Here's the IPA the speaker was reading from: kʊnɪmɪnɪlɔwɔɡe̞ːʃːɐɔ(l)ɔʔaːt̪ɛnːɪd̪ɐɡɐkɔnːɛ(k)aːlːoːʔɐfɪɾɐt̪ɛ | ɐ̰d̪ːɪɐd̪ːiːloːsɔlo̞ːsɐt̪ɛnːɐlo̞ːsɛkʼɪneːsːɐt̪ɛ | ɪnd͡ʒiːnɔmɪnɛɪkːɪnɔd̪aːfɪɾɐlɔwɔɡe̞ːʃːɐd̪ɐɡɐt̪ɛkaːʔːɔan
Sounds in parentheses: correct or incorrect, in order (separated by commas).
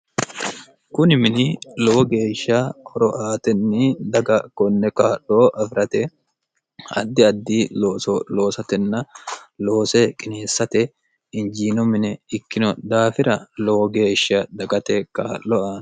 incorrect, correct